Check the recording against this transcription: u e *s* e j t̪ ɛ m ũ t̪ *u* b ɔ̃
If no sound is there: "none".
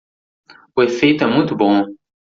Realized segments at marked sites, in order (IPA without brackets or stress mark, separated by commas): f, u